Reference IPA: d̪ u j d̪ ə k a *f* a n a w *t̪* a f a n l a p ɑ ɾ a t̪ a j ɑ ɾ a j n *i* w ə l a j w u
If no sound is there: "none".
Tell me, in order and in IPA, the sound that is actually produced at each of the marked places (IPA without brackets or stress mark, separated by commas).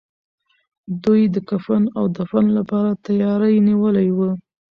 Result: f, d̪, i